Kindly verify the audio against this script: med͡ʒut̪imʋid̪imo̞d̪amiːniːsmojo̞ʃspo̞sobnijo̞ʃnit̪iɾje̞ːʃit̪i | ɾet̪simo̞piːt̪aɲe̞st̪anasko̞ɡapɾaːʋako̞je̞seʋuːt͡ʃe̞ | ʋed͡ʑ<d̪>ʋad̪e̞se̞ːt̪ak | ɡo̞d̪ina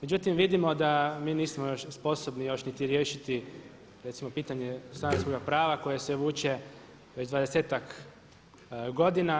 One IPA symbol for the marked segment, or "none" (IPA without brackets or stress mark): d̪